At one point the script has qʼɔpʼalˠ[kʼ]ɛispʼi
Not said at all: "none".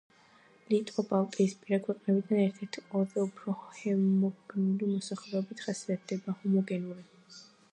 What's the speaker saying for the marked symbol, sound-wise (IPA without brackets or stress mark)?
kʼ